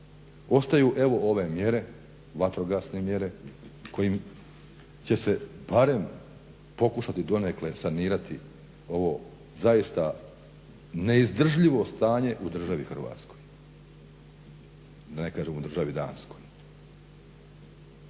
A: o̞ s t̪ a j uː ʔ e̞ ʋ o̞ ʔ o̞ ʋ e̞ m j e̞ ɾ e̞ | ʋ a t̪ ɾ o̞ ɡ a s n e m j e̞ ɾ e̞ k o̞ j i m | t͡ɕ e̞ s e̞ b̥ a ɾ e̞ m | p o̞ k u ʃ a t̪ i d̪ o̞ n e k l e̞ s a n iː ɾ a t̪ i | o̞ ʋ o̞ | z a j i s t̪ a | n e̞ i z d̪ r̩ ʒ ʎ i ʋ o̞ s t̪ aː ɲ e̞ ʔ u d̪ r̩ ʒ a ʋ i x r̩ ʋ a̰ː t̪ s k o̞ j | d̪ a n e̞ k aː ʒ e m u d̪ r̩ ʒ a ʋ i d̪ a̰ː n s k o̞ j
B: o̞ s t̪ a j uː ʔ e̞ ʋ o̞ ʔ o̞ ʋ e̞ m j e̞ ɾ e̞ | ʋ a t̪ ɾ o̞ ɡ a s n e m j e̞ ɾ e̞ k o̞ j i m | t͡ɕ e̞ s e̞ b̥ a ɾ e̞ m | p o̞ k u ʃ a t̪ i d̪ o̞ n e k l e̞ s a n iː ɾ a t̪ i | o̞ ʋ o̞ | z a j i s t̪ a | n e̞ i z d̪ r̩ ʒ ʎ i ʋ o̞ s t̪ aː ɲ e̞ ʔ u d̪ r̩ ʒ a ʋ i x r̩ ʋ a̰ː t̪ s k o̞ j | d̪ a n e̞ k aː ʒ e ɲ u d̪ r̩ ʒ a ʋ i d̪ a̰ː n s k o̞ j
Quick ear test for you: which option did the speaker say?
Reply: A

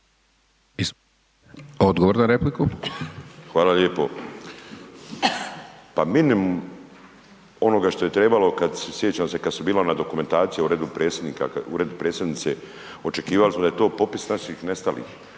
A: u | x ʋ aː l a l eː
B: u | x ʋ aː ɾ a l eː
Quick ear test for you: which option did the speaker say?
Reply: A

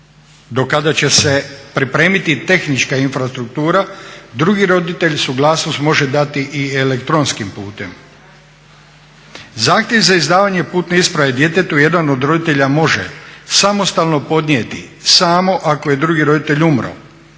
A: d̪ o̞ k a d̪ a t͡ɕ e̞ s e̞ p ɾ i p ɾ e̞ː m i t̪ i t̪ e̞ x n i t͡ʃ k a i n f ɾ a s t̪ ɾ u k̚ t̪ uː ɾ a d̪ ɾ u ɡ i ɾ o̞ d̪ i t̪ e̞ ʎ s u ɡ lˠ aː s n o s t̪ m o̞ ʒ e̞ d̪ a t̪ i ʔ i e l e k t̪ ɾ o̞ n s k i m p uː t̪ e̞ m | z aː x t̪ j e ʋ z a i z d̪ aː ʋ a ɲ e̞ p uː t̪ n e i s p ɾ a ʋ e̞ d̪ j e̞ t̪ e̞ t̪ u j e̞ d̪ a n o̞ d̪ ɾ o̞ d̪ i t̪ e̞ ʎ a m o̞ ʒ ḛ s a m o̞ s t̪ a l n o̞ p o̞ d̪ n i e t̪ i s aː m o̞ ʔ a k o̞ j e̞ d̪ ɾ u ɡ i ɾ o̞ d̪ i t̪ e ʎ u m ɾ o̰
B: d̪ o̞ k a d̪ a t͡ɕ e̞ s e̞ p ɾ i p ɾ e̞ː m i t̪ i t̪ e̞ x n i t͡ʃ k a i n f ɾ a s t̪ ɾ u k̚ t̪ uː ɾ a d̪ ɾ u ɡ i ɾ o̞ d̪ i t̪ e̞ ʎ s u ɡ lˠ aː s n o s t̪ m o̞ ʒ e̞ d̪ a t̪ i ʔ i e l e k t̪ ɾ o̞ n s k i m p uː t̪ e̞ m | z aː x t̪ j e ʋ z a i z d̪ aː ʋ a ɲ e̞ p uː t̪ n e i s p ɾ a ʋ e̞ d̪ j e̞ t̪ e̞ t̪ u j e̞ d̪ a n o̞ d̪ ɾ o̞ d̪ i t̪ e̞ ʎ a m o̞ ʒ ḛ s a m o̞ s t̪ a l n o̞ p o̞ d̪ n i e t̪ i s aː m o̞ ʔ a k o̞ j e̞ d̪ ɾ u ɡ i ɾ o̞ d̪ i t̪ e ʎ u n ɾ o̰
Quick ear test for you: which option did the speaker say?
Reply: A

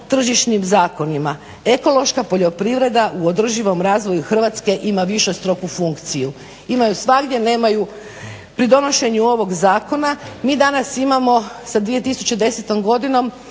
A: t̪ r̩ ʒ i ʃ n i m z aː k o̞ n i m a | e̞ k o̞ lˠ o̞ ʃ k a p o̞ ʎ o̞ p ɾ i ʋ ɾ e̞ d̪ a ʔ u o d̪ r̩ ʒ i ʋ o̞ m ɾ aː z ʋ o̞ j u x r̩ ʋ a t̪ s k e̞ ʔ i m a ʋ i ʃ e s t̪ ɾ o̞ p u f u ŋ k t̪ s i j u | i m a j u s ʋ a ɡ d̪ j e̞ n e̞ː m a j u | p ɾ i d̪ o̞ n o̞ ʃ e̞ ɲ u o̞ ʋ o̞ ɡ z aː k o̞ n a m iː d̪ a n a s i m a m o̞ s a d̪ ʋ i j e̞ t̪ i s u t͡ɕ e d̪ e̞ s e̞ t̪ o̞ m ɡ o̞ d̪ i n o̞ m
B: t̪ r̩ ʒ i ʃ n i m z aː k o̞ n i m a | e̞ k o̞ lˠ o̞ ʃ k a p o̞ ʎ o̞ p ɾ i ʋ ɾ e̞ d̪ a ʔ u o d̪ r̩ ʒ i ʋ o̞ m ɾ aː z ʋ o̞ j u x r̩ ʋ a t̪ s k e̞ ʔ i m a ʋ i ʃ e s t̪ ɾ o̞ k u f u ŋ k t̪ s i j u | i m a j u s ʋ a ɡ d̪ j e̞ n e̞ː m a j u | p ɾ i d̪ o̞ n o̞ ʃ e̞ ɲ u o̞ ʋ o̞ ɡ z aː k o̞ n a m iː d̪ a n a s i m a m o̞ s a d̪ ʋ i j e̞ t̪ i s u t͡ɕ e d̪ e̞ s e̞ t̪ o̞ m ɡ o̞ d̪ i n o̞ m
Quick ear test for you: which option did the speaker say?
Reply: B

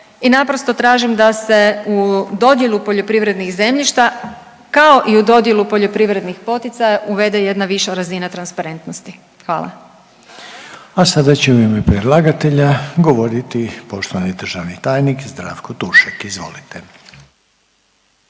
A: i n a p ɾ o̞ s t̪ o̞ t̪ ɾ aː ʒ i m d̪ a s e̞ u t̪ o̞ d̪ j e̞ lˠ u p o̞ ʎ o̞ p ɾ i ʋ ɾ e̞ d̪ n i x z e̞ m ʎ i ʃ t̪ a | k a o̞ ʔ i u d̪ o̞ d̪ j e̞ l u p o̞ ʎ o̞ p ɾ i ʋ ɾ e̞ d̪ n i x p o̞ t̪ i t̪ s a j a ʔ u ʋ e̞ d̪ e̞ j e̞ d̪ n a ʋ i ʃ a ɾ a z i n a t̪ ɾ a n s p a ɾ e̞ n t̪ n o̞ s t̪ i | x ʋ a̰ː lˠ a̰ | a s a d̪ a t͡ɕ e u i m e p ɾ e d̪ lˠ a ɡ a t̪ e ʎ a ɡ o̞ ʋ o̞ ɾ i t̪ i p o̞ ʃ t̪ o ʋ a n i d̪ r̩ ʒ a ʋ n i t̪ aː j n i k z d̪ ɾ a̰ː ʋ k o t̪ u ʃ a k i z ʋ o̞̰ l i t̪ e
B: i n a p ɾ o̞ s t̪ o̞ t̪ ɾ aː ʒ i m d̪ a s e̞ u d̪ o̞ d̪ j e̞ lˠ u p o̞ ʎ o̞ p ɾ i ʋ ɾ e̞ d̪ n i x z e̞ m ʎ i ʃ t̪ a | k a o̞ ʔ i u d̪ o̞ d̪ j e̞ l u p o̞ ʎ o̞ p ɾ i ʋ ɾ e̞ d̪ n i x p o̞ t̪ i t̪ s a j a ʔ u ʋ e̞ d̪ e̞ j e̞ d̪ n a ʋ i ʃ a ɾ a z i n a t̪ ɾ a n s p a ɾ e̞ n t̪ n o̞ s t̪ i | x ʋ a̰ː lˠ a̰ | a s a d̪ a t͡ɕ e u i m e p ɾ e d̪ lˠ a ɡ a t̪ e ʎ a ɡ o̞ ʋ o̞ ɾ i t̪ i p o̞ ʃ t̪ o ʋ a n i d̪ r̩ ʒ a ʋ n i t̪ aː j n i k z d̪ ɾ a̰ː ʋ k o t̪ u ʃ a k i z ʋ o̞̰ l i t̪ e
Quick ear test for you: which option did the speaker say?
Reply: B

